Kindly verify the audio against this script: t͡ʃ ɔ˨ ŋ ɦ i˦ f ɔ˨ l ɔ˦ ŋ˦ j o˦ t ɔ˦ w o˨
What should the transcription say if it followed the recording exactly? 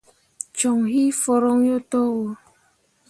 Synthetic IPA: t͡ʃ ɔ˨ ŋ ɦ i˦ f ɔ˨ ɾ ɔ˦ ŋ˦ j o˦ t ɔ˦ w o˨